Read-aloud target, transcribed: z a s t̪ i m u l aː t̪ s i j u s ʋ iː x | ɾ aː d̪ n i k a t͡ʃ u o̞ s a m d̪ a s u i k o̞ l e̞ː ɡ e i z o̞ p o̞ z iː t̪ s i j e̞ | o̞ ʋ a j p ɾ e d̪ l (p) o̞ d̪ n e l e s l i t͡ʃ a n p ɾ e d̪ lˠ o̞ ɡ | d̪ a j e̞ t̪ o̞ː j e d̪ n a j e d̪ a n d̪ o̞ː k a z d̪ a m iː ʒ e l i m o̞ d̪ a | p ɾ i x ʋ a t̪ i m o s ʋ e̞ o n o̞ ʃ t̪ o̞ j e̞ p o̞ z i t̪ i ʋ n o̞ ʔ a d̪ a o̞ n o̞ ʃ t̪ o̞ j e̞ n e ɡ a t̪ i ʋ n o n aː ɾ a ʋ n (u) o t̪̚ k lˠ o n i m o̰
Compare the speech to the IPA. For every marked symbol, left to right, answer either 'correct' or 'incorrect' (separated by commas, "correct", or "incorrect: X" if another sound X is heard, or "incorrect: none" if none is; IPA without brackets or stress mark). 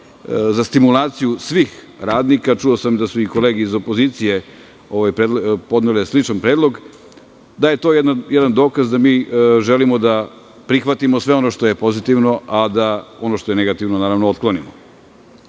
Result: correct, incorrect: o